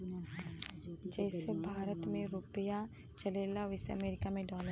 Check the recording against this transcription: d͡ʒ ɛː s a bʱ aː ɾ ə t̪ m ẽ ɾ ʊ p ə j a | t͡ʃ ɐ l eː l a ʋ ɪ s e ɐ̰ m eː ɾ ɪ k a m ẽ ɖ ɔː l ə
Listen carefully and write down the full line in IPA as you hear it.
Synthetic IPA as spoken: d͡ʒ ɛː s e bʱ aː ɾ ə t̪ m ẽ ɾ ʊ p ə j a | t͡ʃ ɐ l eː l a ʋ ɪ s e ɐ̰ m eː ɾ ɪ k a m ẽ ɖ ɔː l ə